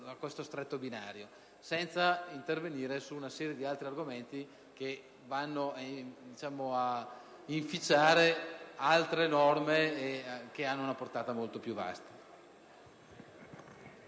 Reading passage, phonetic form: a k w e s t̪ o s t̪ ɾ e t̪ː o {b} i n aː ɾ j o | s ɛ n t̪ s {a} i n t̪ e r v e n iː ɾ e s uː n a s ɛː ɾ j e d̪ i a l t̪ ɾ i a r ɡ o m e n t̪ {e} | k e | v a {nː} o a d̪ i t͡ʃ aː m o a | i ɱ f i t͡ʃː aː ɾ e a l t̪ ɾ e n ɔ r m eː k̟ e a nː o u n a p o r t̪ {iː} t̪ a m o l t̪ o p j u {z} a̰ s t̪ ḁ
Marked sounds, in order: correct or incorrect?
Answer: correct, correct, incorrect, correct, incorrect, incorrect

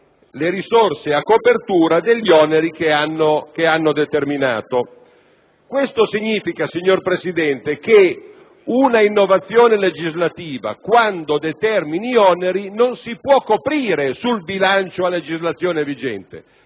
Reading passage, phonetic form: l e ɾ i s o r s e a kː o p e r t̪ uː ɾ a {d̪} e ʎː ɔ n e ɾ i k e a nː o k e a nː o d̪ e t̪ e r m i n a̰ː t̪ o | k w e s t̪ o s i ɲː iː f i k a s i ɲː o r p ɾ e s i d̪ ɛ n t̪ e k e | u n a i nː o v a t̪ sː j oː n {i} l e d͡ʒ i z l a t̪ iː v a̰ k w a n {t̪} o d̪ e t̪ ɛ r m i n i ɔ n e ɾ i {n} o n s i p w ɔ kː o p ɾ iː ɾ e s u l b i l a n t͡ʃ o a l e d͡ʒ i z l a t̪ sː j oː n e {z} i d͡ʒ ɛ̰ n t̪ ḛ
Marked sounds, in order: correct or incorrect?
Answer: correct, incorrect, incorrect, correct, incorrect

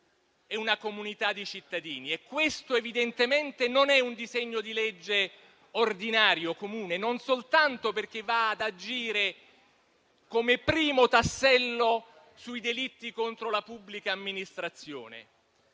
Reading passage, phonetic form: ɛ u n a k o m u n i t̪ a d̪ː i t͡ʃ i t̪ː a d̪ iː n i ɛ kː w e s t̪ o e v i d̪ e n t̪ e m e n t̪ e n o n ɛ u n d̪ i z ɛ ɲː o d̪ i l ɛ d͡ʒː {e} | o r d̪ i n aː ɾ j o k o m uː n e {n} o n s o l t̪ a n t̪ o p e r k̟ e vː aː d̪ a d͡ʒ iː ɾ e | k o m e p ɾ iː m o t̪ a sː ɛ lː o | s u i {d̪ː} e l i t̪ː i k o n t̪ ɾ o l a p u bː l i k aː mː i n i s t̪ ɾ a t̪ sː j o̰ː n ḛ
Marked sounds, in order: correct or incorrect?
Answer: correct, correct, incorrect

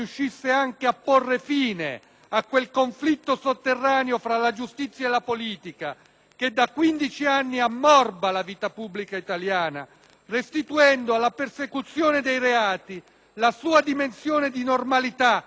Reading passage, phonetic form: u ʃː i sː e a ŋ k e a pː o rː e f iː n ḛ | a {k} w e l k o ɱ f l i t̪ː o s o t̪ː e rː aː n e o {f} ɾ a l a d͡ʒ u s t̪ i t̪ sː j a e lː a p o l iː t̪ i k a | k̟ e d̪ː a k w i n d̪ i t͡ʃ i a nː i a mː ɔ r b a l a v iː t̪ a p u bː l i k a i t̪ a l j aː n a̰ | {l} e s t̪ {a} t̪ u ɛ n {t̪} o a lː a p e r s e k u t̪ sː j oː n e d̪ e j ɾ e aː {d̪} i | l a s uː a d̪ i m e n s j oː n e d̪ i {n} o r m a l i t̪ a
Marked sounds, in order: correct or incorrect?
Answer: correct, correct, incorrect, incorrect, incorrect, incorrect, correct

